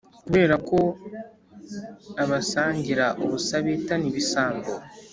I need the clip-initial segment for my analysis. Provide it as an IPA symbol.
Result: k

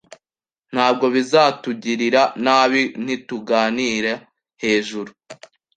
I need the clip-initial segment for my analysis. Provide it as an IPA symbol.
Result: n̥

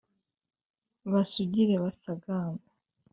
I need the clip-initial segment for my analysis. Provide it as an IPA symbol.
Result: β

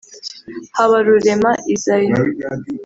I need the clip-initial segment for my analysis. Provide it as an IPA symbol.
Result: h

